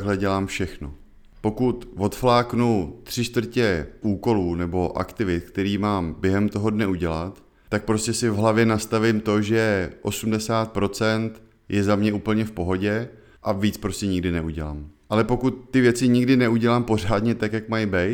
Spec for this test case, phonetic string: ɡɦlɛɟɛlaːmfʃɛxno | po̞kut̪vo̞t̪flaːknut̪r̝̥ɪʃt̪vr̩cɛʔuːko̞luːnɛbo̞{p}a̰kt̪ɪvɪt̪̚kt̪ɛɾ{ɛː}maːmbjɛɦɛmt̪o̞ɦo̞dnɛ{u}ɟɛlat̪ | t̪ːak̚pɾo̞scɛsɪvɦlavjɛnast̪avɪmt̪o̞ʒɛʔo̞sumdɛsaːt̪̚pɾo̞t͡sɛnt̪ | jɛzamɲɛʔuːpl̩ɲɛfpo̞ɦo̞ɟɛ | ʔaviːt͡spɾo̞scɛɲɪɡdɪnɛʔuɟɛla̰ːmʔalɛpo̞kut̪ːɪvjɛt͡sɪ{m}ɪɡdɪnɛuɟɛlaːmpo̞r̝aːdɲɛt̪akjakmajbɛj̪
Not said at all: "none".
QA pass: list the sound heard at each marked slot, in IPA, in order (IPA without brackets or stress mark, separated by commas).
ʔ, iː, u, ɲ